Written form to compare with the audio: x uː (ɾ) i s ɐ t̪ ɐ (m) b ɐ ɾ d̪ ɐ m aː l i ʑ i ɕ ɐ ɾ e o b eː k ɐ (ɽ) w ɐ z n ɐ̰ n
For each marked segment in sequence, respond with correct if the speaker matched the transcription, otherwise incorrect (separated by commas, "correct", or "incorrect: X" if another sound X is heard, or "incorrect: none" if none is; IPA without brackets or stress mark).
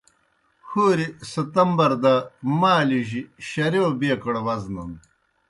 correct, correct, correct